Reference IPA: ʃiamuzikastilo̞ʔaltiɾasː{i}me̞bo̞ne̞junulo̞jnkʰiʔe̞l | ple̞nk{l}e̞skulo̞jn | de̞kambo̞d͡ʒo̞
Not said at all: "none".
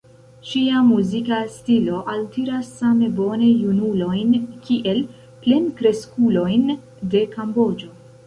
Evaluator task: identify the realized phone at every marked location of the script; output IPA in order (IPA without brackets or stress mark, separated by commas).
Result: a, ɾ